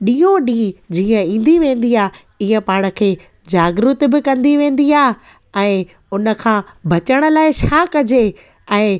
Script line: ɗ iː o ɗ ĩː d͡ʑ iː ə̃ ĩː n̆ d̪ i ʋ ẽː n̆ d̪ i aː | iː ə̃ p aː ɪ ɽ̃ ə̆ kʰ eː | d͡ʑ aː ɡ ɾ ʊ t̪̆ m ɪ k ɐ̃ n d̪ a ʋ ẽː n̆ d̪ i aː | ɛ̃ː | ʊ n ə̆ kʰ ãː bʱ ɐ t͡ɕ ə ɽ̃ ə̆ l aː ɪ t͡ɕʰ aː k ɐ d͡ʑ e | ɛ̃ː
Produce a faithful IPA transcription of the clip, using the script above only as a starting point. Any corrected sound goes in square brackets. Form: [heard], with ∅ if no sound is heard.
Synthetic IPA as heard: ɗ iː o ɗ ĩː d͡ʑ iː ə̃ ĩː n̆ d̪ i ʋ ẽː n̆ d̪ i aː | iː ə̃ p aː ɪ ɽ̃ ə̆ kʰ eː | d͡ʑ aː ɡ ɾ ʊ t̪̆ [b] ɪ k ɐ̃ n d̪ [i] ʋ ẽː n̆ d̪ i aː | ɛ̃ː | ʊ n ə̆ kʰ ãː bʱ ɐ t͡ɕ ə ɽ̃ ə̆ l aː ɪ t͡ɕʰ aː k ɐ d͡ʑ e | ɛ̃ː

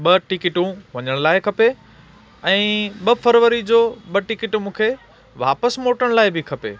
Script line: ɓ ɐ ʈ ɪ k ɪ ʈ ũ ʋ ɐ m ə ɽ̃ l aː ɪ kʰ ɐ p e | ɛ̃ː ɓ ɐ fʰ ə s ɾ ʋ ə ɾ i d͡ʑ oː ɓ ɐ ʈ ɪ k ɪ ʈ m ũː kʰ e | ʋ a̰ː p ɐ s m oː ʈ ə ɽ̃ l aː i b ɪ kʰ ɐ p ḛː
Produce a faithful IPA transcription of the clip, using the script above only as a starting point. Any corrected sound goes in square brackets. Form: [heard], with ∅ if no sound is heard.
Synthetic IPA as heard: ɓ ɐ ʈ ɪ k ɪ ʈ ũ ʋ ɐ [ɲ] ə ɽ̃ l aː ɪ kʰ ɐ p e | ɛ̃ː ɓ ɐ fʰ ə [∅] ɾ ʋ ə ɾ i d͡ʑ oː ɓ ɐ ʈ ɪ k ɪ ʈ m ũː kʰ e | ʋ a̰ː p [ə] s m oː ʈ ə ɽ̃ l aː [ɪ] b ɪ kʰ ɐ p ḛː

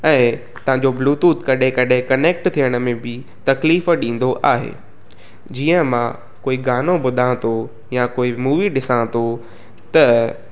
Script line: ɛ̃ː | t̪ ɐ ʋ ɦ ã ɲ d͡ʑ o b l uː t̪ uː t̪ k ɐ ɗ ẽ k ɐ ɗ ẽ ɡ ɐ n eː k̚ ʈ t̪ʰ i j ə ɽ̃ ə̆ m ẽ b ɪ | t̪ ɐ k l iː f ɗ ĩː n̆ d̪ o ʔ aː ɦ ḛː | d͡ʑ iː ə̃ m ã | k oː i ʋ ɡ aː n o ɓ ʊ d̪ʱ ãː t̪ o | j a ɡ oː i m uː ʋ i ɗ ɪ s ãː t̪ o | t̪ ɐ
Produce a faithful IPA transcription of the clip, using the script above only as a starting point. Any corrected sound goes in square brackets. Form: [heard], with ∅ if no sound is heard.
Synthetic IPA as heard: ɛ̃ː | t̪ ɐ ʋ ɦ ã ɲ d͡ʑ o b l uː t̪ uː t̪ k ɐ ɗ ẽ k ɐ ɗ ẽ [k] ɐ n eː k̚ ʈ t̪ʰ i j ə ɽ̃ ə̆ m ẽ b ɪ | t̪ ɐ k l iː f ɗ ĩː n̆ d̪ o ʔ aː ɦ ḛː | d͡ʑ iː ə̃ m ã | k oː i [∅] ɡ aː n o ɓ ʊ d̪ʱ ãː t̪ o | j a [k] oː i m uː ʋ i ɗ ɪ s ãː t̪ o | t̪ ɐ

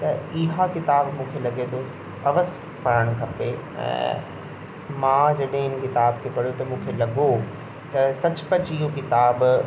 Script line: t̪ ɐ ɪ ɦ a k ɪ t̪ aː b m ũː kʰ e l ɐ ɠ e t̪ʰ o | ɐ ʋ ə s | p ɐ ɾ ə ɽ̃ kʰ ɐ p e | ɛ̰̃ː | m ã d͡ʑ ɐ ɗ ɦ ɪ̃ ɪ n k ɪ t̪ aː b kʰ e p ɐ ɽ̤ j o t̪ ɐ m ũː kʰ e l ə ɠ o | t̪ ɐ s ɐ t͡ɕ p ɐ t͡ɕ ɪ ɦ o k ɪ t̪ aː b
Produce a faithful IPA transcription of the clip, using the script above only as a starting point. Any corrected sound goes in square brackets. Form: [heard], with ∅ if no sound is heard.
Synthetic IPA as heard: t̪ ɐ ɪ ɦ a k ɪ t̪ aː b m ũː kʰ e l ɐ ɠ e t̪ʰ o | ɐ ʋ ə s | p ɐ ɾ ə ɽ̃ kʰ ɐ p e | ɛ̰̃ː | m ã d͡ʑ ɐ ɗ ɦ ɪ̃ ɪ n k ɪ t̪ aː b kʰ e p ɐ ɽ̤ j o t̪ ɐ m ũː kʰ e l [ɐ] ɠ o | t̪ ɐ s ɐ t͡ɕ p ɐ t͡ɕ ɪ ɦ o k ɪ t̪ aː b

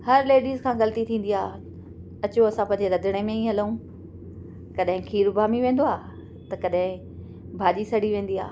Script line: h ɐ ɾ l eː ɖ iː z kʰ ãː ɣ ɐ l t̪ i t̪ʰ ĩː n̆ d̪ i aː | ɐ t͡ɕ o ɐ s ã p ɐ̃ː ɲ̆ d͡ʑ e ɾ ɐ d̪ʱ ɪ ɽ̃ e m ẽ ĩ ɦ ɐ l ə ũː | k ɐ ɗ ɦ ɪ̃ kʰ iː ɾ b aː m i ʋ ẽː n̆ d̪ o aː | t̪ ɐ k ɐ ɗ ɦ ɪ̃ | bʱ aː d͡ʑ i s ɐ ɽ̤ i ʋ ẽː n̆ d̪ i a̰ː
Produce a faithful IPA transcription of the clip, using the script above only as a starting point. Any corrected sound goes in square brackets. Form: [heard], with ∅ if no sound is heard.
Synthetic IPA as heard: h ɐ ɾ l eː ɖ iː z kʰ ãː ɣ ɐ l t̪ i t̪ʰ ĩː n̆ d̪ i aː | ɐ t͡ɕ o ɐ s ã p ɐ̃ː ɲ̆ d͡ʑ e ɾ ɐ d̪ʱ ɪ ɽ̃ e m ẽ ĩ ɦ ɐ l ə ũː | k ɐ ɗ ɦ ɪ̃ kʰ iː ɾ b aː m i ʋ ẽː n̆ d̪ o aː | t̪ ɐ k ɐ ɗ ɦ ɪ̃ | bʱ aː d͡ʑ i s ɐ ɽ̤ i ʋ ẽː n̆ d̪ i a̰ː

